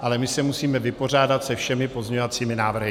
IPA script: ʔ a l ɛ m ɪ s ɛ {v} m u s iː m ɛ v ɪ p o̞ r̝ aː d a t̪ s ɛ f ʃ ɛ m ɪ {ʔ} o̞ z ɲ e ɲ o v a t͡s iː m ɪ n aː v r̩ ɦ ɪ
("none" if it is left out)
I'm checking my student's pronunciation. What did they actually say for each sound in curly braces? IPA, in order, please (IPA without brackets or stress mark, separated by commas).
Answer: none, p